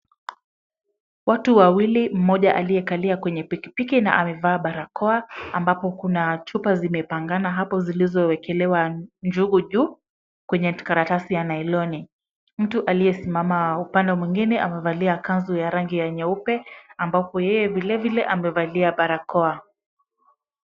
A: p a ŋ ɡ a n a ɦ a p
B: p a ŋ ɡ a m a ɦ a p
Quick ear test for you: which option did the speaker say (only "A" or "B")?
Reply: A